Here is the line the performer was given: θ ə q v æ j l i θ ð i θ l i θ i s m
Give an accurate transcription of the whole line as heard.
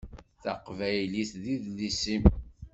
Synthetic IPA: θ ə q v æ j l i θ ð i ð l i s i m